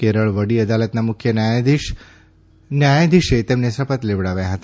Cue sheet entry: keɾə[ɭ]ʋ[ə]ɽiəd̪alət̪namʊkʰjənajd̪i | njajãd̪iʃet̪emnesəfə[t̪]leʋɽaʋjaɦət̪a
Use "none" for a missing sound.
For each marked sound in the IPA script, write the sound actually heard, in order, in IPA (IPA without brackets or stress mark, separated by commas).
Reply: ɭ, ə, t̪